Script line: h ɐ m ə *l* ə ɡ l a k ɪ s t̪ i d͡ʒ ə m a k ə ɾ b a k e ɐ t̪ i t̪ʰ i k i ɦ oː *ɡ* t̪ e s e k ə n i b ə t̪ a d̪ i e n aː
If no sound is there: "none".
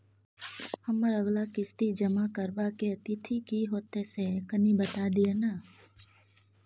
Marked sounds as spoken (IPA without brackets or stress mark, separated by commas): ɾ, none